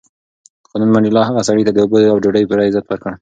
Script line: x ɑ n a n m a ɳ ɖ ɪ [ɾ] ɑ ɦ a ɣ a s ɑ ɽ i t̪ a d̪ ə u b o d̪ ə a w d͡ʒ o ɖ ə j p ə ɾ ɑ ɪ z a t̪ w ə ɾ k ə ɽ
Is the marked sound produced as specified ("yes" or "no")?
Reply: no